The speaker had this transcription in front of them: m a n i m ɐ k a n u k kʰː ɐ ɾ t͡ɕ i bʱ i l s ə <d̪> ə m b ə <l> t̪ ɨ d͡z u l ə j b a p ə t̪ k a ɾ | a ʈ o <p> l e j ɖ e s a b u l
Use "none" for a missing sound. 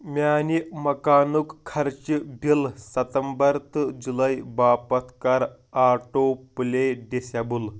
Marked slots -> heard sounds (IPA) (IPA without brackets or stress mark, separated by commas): t̪, ɾ, p